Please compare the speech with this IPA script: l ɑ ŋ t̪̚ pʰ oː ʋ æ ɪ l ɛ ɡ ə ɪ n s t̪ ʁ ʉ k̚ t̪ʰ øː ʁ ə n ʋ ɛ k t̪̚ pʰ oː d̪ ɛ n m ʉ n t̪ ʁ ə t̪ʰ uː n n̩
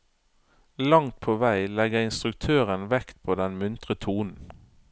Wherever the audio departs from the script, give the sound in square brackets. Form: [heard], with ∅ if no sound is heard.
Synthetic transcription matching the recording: l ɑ ŋ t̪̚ pʰ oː ʋ æ ɪ l ɛ ɡ ə ɪ n s t̪ ʁ ʉ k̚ t̪ʰ øː ʁ ə n ʋ ɛ k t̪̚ pʰ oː d̪ ɛ n m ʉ n t̪ ʁ ə t̪ʰ uː n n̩